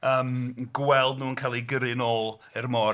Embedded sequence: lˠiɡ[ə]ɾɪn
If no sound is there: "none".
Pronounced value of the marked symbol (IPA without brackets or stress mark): ə